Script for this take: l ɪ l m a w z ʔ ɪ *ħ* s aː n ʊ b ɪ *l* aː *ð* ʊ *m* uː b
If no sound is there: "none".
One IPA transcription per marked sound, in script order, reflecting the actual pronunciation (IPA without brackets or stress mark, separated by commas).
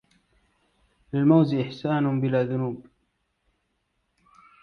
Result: ħ, l, ð, n